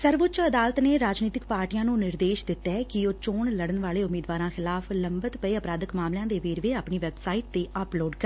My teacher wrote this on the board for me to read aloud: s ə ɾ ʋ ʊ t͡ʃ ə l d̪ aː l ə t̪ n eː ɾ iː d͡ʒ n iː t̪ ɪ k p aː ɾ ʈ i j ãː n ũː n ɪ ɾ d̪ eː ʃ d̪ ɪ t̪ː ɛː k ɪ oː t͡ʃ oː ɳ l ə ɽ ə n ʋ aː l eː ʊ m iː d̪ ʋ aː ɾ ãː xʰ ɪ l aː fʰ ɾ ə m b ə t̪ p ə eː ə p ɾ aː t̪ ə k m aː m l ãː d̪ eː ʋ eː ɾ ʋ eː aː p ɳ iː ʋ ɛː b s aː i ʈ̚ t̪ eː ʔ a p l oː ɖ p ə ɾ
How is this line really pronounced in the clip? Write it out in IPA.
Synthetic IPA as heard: s ə ɾ ʋ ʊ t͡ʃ ə d̪ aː l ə t̪ n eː ɾ aː d͡ʒ n iː t̪ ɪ k p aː ɾ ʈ i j ãː n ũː n ɪ ɾ d̪ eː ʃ d̪ ɪ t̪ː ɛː k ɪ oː t͡ʃ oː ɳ l ə ɽ ə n ʋ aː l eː ʊ m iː d̪ ʋ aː ɾ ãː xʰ ɪ l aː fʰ l ə m b ə t̪ p ə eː ə p ɾ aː d̪ ə k m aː m l ãː d̪ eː ʋ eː ɾ ʋ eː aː p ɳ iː ʋ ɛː b s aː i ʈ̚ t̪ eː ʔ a p l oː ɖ k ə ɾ